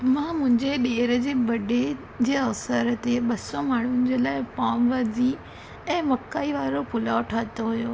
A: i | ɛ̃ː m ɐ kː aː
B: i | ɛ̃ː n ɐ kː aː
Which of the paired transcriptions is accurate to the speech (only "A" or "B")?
A